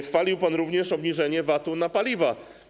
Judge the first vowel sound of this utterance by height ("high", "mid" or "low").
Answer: low